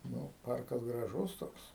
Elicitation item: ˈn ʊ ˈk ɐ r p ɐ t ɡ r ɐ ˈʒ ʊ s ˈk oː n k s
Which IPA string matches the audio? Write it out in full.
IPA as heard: ˈn ʊ ˈp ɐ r k ɐ s ɡ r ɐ ˈʒ ʊ s ˈt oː k s